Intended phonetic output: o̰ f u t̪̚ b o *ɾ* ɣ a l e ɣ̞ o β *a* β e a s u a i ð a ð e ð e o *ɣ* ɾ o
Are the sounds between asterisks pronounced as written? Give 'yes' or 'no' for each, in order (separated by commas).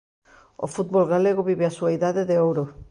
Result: no, no, no